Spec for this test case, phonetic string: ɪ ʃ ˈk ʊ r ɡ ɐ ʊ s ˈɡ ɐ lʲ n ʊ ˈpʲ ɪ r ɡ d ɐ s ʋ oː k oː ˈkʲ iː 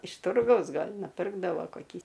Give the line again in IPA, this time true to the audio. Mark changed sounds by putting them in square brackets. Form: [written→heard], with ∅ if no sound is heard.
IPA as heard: ɪ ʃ [ˈk→ˈt] ʊ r ɡ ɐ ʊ s ˈɡ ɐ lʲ n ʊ ˈpʲ ɪ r ɡ d ɐ [s→∅] ʋ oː k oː ˈkʲ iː